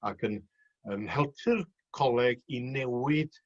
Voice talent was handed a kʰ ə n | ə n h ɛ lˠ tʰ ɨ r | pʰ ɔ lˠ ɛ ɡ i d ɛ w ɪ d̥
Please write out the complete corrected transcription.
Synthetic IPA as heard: a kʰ ə n | ə n h ɛ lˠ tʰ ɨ r | kʰ ɔ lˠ ɛ ɡ i n ɛ w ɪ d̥